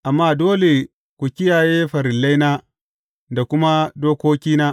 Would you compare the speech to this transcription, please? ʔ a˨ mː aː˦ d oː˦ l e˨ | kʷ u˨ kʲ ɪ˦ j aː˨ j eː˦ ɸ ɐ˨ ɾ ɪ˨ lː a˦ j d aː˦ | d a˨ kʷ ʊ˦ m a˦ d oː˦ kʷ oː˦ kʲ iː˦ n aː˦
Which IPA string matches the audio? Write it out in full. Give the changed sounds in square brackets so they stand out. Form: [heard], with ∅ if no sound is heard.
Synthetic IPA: ʔ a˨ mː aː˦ d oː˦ l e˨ | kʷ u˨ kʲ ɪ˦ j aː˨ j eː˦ ɸ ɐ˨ ɾ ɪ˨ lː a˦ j [n] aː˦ | d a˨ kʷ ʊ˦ m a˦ d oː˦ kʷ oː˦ kʲ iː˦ n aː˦